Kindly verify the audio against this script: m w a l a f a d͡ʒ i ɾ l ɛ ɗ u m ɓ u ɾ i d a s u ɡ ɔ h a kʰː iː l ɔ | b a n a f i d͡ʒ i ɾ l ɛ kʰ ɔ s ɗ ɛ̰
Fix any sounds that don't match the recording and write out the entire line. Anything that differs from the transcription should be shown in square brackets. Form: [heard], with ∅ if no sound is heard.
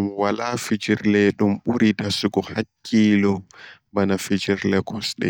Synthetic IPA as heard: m w a l a f [i] d͡ʒ i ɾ l ɛ ɗ u m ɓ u ɾ i d a s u ɡ ɔ h a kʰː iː l ɔ | b a n a f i d͡ʒ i ɾ l ɛ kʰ ɔ s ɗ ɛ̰